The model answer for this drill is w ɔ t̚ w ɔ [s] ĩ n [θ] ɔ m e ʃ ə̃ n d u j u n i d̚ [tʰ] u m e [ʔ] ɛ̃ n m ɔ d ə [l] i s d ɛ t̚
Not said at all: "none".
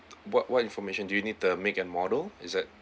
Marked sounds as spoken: t, f, t, k, l

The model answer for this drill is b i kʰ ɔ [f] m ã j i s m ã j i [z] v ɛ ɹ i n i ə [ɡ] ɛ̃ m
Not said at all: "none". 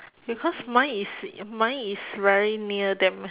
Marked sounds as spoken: s, s, d

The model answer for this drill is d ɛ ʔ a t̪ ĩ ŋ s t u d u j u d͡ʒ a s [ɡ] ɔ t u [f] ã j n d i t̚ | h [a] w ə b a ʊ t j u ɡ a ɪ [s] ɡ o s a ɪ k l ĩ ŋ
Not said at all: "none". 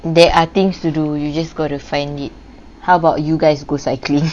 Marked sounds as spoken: ɡ, f, a, s

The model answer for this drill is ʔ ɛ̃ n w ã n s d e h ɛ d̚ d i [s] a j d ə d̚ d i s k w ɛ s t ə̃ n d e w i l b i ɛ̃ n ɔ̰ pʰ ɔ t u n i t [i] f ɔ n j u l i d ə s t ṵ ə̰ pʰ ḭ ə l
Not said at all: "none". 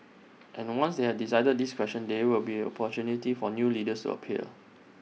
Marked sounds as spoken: s, i

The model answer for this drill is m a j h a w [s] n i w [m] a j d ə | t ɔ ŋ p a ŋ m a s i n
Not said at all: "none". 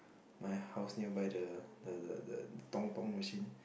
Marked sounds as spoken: s, b

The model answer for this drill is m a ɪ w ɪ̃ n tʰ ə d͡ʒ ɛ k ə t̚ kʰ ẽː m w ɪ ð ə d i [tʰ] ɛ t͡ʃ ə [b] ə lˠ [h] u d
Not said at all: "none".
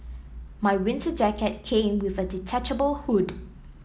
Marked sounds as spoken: tʰ, b, h

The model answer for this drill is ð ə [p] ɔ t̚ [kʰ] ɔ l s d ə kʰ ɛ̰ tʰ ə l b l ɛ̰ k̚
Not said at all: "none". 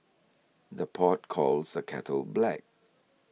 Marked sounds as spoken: pʰ, kʰ

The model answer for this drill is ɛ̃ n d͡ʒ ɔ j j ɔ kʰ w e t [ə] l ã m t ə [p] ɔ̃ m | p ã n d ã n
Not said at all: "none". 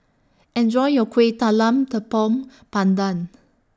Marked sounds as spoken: a, p

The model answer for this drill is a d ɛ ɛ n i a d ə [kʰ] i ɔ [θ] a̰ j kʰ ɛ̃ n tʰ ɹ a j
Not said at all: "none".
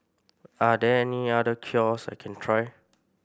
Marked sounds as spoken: kʰ, s

